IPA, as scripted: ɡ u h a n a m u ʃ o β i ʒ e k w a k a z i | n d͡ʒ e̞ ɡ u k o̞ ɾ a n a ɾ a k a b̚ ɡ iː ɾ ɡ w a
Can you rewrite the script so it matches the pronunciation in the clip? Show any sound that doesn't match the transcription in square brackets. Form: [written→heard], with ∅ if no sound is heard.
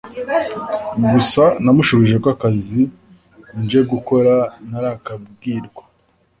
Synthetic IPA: ɡ u [h→s] a n a m u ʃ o β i ʒ e k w a k a z i | n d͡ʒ e̞ ɡ u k o̞ ɾ a n a ɾ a k a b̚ ɡ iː ɾ ɡ w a